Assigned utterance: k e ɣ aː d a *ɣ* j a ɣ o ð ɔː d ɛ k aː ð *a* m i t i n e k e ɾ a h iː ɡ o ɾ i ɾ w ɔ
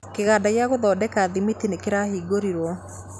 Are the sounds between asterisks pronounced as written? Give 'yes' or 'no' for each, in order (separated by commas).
yes, no